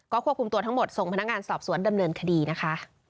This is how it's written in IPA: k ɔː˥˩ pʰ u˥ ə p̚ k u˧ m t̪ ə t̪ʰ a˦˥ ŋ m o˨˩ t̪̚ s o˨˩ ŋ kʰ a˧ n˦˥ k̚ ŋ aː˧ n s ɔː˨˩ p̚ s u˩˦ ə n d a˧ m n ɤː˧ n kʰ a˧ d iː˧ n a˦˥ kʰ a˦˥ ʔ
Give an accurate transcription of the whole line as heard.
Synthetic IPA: k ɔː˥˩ kʰ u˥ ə p̚ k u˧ m t̪ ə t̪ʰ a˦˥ ŋ m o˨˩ t̪̚ s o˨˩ ŋ pʰ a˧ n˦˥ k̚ ŋ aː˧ n s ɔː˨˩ p̚ s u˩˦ ə n d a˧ m n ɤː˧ n kʰ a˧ d iː˧ n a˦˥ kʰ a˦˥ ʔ